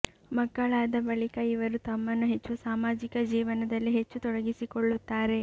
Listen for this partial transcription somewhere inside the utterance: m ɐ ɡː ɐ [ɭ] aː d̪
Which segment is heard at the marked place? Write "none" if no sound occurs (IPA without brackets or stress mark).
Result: ɭ